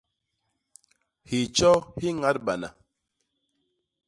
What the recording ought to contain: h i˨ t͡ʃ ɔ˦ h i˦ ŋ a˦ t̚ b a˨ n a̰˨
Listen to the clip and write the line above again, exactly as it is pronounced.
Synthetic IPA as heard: h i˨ t͡ʃ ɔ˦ h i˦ ŋ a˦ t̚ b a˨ n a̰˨